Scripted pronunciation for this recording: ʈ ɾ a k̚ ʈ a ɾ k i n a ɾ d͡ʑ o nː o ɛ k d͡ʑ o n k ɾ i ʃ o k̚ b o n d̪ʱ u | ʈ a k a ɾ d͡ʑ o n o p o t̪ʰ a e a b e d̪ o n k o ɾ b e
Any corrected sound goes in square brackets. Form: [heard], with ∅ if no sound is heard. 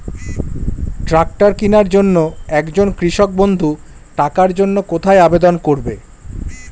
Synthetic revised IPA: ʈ ɾ a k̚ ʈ a ɾ k i n a ɾ d͡ʑ o nː o ɛ k d͡ʑ o n k ɾ i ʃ o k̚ b o n d̪ʱ u | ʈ a k a ɾ d͡ʑ o [nː] o [k] o t̪ʰ a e a b e d̪ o n k o ɾ b e